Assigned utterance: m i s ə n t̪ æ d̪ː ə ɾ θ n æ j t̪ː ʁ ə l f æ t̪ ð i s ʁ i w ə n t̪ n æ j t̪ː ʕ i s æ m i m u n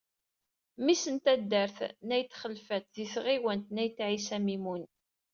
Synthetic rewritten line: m i s ə n t̪ æ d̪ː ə ɾ θ n æ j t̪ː χ ə l f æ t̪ ð i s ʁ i w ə n t̪ n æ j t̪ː ʕ i s æ m i m u n